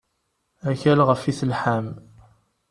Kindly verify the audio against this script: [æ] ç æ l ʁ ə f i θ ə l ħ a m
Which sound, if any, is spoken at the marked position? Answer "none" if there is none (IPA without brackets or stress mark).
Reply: æ